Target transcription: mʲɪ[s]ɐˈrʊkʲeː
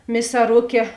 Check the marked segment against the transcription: correct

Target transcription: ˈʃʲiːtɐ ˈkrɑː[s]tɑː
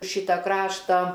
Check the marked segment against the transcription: incorrect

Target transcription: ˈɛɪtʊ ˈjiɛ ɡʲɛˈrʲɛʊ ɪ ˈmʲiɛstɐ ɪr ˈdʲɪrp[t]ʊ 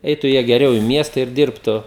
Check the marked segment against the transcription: correct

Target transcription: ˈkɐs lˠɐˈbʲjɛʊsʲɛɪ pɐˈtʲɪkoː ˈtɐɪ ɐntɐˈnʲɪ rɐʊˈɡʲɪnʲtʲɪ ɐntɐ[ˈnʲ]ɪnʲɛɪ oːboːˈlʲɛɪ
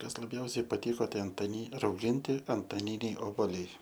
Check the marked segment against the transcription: correct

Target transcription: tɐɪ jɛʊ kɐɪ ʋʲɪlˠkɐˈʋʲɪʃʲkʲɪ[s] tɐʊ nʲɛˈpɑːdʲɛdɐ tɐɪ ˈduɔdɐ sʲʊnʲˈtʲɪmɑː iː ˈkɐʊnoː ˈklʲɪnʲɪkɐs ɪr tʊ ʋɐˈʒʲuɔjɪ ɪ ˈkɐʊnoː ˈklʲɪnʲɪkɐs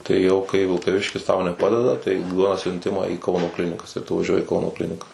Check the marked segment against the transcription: correct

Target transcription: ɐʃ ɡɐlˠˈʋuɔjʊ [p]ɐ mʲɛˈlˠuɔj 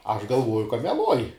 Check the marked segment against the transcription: incorrect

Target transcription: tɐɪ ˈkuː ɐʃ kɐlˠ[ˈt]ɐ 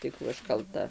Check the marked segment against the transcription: correct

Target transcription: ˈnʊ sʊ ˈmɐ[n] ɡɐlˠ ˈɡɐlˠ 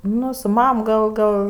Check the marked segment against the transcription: incorrect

